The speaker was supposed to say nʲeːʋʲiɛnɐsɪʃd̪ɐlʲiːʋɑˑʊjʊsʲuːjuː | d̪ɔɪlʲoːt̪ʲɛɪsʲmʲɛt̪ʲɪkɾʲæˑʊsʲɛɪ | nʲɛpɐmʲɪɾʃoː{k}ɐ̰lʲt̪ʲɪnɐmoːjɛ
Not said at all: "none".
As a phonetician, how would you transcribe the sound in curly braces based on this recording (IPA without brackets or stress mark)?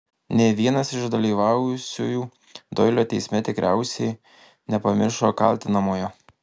k